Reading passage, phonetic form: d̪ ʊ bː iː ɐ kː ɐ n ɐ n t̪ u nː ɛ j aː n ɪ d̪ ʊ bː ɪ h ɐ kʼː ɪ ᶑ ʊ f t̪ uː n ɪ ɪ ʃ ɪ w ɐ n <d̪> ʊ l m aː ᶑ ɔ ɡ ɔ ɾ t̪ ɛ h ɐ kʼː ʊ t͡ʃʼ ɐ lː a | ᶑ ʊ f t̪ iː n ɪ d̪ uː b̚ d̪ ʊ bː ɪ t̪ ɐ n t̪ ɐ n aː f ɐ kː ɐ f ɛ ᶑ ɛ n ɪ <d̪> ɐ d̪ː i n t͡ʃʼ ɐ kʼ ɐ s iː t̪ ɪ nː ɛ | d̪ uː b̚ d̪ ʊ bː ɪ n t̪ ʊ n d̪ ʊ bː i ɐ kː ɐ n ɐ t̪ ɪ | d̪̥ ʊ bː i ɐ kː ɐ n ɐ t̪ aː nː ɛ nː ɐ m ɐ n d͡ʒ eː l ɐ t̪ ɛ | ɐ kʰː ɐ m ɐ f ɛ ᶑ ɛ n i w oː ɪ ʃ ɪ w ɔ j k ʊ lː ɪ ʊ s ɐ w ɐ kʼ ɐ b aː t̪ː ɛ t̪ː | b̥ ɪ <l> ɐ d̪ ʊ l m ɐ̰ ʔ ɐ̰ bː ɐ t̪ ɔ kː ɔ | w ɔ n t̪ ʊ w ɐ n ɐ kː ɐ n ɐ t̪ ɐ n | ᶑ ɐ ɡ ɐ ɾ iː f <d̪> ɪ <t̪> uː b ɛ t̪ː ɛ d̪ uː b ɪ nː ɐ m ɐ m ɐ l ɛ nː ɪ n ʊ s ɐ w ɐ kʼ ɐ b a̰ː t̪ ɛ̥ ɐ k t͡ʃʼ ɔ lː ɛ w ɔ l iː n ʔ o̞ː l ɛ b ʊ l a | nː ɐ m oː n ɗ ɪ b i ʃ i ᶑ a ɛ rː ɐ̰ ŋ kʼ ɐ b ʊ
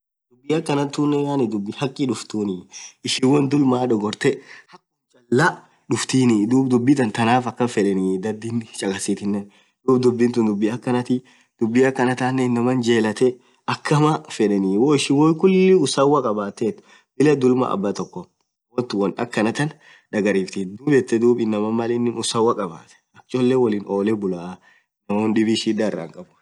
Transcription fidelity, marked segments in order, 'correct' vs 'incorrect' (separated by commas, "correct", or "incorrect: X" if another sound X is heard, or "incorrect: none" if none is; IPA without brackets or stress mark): correct, correct, correct, incorrect: t̪, incorrect: d̪